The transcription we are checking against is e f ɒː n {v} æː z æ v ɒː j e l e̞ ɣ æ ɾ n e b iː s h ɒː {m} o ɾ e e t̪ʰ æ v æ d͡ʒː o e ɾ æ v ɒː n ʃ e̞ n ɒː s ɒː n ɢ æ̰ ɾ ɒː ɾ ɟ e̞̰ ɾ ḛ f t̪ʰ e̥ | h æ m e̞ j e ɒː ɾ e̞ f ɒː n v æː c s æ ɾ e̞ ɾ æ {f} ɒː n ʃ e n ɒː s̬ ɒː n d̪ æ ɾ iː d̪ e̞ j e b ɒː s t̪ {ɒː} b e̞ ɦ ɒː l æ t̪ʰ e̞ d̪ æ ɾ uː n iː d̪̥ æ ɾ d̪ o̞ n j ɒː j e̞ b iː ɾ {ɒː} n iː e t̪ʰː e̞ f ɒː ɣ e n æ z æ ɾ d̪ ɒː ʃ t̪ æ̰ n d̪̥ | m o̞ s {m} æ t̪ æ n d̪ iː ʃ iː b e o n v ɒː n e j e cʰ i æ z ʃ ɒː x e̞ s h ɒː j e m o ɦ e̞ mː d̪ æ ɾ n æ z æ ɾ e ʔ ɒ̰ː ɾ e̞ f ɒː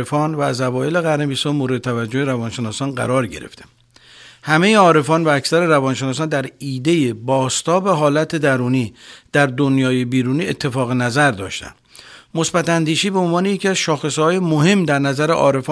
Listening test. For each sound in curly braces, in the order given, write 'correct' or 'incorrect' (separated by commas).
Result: correct, correct, incorrect, correct, incorrect, incorrect